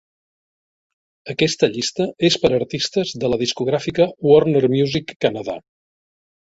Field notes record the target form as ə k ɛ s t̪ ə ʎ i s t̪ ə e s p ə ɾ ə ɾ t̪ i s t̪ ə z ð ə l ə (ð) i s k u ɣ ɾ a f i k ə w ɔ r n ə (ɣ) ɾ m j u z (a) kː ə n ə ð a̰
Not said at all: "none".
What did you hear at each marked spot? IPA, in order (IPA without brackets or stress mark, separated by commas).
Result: ð, none, i